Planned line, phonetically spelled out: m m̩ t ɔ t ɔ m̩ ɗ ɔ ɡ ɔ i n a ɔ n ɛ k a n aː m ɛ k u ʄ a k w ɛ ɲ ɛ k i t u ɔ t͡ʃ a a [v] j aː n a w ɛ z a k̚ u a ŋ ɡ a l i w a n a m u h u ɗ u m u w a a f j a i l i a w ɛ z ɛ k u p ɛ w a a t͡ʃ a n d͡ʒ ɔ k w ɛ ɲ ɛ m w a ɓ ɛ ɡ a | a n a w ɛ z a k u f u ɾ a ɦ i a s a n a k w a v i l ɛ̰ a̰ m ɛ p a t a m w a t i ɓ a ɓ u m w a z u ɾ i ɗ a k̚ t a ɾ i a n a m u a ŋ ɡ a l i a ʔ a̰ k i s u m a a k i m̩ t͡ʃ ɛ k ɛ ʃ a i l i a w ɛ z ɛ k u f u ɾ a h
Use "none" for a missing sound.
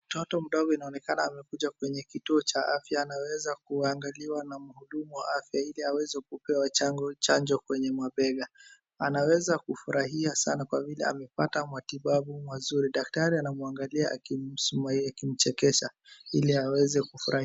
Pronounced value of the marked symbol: f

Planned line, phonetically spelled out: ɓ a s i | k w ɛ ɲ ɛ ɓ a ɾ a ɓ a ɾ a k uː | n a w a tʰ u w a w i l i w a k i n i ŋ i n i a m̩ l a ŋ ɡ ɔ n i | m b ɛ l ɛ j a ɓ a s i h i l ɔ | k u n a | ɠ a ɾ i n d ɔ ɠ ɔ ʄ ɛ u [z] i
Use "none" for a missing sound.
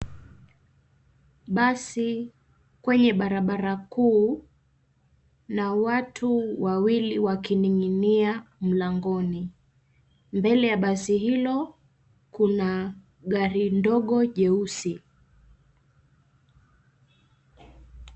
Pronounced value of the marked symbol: s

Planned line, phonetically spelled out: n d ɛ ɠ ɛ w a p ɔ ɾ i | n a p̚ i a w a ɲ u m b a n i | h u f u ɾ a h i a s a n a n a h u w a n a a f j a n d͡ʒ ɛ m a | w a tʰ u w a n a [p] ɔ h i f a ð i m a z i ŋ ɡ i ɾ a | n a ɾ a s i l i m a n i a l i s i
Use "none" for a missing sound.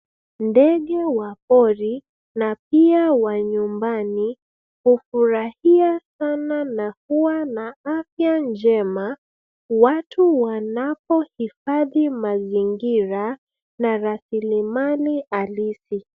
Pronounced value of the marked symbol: p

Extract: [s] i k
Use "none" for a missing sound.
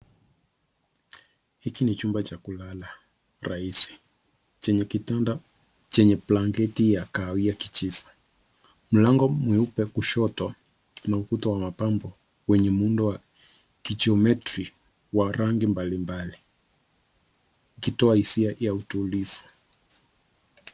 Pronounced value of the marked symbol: h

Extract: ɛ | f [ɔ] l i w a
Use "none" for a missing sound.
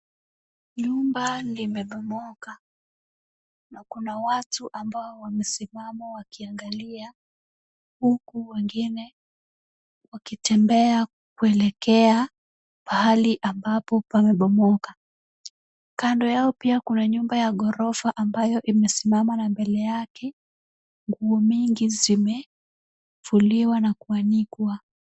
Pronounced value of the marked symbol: u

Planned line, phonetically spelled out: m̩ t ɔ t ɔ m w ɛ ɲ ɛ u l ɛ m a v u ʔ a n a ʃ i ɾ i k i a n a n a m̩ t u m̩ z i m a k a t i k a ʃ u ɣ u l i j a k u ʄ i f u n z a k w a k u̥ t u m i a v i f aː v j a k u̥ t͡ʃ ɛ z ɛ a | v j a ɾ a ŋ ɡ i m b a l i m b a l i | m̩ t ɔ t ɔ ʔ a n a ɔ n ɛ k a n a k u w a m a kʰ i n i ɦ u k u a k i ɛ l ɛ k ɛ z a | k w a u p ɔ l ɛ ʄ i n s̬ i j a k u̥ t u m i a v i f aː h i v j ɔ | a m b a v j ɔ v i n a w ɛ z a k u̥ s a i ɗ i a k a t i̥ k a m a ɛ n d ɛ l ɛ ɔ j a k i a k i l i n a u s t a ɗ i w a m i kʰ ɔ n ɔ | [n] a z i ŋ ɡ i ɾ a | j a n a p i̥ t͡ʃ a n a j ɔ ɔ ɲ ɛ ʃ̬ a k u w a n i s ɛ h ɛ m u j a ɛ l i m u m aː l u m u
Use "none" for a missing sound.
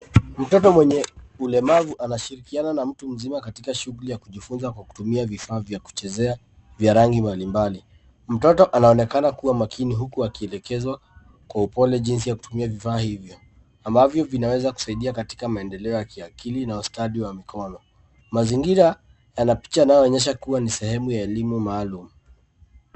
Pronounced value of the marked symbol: m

